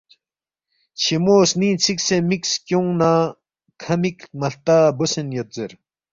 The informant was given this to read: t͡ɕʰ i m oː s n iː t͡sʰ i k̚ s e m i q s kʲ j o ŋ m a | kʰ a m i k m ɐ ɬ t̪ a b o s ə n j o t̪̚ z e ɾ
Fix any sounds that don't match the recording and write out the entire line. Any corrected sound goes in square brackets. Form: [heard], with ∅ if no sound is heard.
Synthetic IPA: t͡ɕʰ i m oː s n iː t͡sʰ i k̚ s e m i [k] s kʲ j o ŋ [n] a | kʰ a m i k m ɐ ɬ t̪ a b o s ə n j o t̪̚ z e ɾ